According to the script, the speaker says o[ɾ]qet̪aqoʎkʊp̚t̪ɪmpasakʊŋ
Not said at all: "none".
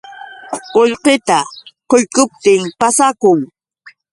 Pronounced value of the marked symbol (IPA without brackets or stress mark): ʎ